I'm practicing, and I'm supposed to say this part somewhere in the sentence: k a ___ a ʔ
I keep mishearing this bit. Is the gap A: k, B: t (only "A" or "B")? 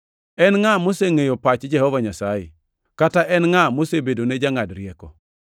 B